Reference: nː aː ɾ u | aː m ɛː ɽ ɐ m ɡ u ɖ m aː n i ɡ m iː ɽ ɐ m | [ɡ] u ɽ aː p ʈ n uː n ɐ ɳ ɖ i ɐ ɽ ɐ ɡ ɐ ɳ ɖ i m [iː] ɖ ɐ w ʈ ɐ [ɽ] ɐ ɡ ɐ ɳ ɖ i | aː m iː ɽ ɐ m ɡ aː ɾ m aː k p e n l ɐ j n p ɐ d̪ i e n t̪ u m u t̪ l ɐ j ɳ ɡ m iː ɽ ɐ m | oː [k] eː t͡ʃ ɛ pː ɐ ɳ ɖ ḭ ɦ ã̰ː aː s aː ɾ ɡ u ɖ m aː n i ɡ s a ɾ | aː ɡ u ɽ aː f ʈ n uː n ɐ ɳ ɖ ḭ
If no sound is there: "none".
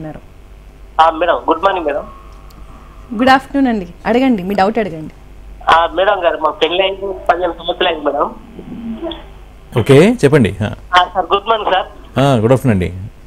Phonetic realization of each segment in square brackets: ɡ, iː, ɽ, k

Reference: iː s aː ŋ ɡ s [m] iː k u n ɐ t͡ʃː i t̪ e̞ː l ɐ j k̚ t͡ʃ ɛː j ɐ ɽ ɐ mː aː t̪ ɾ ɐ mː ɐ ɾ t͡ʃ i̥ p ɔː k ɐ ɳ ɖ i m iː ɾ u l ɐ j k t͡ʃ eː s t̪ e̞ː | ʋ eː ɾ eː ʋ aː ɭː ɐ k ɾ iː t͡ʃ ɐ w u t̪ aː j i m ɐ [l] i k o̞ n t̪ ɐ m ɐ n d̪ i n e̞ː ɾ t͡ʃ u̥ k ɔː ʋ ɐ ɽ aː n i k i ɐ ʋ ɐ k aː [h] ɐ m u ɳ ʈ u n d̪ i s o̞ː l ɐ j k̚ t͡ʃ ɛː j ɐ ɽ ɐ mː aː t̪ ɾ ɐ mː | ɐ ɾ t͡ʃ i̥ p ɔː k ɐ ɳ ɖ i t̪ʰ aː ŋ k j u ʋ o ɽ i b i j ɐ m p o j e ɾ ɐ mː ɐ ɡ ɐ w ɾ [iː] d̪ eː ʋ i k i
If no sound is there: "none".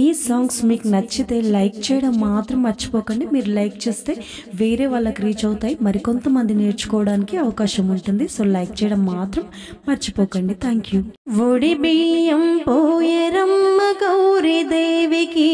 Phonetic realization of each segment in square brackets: m, ɾ, ʃ, i

